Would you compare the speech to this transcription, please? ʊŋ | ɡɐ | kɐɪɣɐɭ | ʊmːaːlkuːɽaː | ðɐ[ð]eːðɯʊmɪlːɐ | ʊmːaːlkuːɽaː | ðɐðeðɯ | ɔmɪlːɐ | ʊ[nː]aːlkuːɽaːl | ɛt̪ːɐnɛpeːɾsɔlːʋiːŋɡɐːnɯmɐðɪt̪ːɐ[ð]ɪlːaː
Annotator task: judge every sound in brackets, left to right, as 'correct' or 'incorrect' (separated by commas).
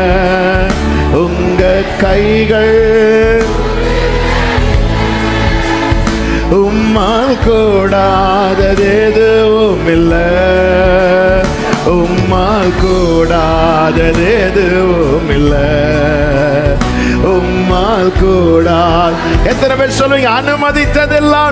correct, incorrect, correct